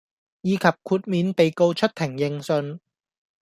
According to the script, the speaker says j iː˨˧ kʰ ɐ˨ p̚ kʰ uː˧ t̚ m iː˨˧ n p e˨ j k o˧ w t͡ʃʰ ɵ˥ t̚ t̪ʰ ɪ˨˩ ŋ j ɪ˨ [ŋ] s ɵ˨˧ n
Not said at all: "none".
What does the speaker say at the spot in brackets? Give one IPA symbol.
ŋ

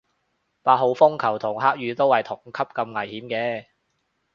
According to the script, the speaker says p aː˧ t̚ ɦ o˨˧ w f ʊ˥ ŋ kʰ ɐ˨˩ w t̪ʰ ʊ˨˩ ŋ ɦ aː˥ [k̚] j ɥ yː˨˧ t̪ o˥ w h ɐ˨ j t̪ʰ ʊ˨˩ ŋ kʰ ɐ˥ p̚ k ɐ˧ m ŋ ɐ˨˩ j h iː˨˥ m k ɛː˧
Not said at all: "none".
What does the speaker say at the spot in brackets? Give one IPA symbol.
k̚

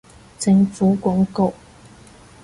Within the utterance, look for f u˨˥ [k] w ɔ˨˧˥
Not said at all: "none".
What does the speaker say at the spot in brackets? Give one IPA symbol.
k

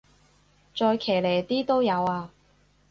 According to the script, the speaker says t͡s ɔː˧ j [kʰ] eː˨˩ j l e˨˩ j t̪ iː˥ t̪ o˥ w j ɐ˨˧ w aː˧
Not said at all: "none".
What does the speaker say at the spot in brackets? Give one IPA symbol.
kʰ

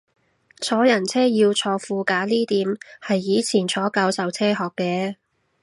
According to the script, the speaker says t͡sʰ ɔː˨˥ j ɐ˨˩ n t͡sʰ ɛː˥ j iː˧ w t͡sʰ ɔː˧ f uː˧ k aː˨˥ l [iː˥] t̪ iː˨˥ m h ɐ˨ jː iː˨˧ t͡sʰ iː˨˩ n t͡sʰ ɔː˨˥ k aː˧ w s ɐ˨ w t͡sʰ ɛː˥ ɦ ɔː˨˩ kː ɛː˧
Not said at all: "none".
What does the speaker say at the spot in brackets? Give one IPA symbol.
iː˥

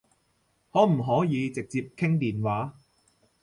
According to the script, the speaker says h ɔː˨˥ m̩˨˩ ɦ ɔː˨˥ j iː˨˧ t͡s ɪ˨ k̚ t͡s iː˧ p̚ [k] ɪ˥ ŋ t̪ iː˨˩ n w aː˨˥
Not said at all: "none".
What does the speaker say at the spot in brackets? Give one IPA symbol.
kʰ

